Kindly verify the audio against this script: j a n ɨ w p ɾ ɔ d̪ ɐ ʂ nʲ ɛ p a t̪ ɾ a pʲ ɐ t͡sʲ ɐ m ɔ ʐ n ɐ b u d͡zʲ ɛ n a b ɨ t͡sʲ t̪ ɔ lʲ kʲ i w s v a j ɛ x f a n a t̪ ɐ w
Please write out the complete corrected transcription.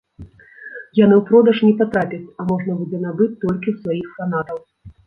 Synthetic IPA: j a n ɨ w p ɾ ɔ d̪ ɐ ʂ nʲ ɛ p a t̪ ɾ a pʲ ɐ t͡sʲ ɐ m ɔ ʐ n ɐ b u d͡zʲ ɛ n a b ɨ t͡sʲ t̪ ɔ lʲ kʲ i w s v a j i x f a n a t̪ ɐ w